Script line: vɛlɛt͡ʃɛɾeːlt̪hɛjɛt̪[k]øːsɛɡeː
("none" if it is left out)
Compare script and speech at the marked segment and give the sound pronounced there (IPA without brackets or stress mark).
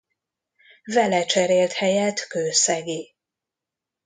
k